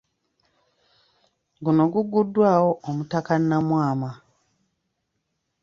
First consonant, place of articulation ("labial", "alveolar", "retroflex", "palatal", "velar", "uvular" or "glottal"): velar